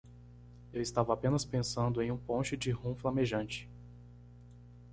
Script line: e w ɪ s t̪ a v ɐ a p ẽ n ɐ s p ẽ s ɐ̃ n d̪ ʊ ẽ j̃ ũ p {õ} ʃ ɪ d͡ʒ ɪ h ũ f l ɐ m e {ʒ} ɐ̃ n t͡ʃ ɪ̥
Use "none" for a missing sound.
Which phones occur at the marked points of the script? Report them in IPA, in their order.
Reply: õ, ʒ

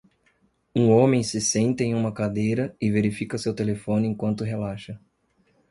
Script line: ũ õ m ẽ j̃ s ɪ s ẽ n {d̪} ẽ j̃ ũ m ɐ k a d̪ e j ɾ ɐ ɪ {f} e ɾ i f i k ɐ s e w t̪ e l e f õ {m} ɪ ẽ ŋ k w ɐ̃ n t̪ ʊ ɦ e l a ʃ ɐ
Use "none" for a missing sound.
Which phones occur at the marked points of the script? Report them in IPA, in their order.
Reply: t̪, v, n

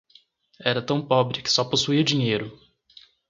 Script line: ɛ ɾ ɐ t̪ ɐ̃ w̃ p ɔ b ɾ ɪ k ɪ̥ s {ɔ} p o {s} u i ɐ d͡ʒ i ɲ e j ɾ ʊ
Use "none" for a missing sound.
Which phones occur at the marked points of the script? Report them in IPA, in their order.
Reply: ɔ, s

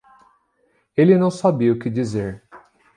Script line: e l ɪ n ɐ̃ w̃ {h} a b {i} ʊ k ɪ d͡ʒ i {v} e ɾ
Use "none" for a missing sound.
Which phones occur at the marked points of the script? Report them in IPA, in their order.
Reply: s, i, z

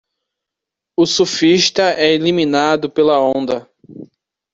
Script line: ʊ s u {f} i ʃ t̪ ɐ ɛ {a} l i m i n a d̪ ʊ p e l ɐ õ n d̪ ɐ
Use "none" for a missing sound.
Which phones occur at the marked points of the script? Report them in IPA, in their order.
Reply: f, e

